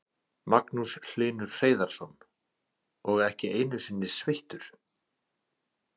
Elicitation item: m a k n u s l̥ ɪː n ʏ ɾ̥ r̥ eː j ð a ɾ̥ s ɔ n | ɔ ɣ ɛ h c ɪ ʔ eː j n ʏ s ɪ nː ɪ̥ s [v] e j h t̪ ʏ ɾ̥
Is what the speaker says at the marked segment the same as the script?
yes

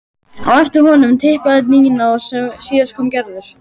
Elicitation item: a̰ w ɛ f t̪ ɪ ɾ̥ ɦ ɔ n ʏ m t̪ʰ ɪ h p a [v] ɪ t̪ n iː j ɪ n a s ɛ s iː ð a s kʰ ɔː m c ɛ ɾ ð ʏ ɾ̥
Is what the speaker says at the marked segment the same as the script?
no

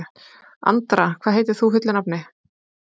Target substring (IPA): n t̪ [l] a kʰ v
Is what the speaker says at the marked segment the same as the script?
no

